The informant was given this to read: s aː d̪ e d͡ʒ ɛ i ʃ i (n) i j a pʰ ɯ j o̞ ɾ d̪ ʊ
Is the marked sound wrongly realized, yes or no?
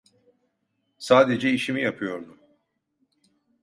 yes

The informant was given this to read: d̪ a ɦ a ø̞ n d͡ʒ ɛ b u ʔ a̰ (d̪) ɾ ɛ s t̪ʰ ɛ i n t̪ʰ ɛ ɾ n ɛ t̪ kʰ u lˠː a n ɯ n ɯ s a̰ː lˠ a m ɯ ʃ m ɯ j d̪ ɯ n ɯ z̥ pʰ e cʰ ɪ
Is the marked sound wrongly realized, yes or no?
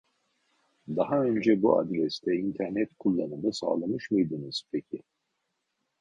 no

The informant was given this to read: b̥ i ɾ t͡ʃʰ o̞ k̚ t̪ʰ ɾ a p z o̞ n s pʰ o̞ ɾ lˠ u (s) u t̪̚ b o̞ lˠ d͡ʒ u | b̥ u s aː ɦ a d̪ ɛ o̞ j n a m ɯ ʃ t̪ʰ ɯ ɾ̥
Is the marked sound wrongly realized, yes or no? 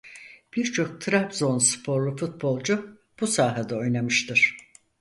yes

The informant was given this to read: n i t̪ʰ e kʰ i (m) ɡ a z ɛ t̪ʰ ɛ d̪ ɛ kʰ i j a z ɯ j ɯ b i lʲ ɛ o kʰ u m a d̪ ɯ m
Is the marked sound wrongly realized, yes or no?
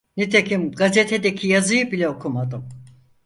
no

